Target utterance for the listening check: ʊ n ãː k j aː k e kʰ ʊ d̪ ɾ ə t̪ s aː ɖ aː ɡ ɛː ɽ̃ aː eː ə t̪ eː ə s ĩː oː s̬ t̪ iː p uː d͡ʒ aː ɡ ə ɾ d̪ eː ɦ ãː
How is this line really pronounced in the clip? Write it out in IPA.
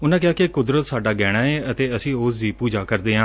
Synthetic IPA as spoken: ʊ n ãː k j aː k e k ʊ d̪ ɾ ə t̪ s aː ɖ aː ɡ ɛː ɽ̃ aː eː ə t̪ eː ə s ĩː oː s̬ d̪ iː p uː d͡ʒ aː k ə ɾ d̪ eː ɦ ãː